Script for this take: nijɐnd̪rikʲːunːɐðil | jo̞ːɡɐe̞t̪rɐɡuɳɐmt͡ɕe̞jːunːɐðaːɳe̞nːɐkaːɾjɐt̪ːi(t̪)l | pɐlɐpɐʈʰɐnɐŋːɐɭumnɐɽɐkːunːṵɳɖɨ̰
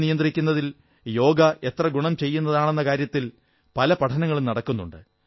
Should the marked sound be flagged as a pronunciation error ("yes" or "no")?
yes